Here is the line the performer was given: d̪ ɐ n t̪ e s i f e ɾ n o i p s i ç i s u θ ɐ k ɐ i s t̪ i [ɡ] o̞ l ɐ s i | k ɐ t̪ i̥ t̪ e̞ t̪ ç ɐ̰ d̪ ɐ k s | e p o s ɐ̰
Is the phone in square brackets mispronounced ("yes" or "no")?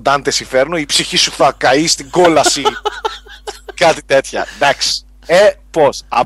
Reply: no